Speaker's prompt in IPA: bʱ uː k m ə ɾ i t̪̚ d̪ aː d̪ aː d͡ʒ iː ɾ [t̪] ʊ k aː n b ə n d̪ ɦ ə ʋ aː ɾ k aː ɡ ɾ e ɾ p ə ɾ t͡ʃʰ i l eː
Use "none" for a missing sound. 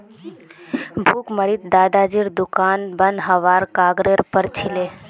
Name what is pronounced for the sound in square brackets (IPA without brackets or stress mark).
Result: d̪